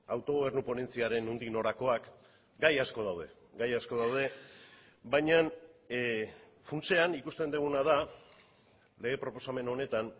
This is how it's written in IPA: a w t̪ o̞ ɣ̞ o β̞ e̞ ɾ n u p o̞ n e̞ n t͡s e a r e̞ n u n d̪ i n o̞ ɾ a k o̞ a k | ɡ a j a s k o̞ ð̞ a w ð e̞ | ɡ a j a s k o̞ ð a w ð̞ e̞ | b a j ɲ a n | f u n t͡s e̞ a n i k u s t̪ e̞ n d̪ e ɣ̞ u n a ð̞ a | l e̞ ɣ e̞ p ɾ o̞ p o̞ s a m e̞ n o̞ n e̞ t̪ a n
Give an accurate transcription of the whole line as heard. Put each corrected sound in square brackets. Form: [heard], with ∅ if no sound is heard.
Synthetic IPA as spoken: a w t̪ o̞ ɣ̞ o β̞ e̞ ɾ n u p o̞ n e̞ n t͡s [i] a [ɾ] e̞ n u n d̪ i n o̞ ɾ a k o̞ a k | ɡ a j a s k o̞ ð̞ a w ð e̞ | ɡ a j a s k o̞ ð a w ð̞ e̞ | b a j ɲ a n | f u n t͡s e̞ a n i k u s t̪ e̞ n d̪ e ɣ̞ u n a ð̞ a | l e̞ ɣ e̞ p ɾ o̞ p o̞ s a m e̞ n o̞ n e̞ t̪ a n